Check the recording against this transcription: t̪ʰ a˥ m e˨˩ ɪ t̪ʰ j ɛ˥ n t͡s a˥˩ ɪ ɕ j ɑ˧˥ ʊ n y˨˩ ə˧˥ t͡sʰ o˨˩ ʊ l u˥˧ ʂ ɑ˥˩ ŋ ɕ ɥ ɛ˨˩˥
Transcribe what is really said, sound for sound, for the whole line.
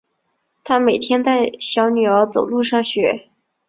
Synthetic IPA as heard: t̪ʰ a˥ m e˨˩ ɪ t̪ʰ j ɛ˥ n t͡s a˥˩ ɪ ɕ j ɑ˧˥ ʊ n y˨˩ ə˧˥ t͡s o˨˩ ʊ l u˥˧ ʂ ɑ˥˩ ŋ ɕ ɥ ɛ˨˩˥